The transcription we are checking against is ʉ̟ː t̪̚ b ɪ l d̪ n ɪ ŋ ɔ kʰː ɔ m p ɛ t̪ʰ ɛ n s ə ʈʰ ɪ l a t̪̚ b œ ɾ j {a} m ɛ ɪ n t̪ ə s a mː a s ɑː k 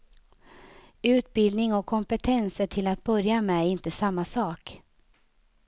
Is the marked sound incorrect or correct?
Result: correct